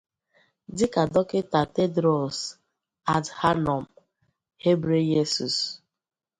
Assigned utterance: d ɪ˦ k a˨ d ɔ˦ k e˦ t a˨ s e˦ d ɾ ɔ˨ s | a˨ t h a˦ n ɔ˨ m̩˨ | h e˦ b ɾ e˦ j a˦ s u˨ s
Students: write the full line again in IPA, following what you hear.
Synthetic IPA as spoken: d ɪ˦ k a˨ d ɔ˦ k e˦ t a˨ t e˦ d ɾ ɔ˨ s | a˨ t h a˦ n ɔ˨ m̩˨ | h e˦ b ɾ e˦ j e˦ s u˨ s